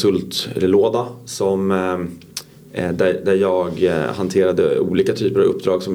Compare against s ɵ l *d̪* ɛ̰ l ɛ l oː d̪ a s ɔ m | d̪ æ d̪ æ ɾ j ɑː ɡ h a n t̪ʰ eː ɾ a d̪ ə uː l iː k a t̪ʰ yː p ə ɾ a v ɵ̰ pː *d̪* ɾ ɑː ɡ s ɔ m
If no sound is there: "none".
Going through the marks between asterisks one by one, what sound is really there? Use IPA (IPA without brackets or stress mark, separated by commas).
t̪, d̪